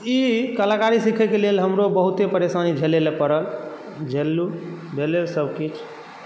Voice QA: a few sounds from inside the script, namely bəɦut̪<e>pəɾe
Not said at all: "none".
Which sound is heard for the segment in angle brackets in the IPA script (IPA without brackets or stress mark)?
e